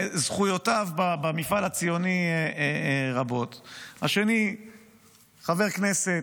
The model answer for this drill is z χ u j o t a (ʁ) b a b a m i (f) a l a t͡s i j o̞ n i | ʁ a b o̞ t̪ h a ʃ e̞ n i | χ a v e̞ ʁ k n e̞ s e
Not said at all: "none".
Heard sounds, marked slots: v, f

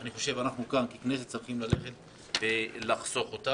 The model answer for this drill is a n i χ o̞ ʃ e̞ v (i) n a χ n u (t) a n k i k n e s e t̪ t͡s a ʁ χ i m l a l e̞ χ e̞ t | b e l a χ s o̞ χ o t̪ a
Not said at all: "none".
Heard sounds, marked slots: a, k

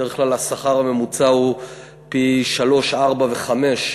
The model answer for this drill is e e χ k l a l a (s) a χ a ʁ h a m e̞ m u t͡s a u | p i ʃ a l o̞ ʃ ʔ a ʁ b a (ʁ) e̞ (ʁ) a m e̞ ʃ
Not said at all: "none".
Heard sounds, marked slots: s, v, χ

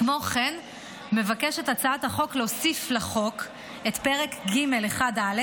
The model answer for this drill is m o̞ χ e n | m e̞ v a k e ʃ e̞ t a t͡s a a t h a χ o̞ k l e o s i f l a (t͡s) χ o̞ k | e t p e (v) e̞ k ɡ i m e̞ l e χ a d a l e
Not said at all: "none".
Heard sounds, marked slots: none, ʁ

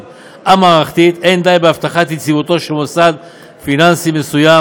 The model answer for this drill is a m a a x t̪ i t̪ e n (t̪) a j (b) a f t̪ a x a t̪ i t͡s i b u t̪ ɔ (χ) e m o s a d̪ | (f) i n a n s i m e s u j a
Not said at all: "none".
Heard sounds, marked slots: d̪, b, ʃ, f

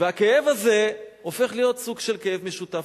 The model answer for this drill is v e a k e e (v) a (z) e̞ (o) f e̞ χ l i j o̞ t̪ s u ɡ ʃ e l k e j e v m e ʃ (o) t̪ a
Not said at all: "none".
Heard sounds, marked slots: v, z, o, u

